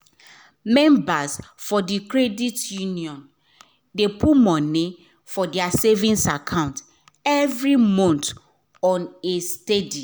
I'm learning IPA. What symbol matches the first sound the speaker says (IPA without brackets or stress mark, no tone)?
m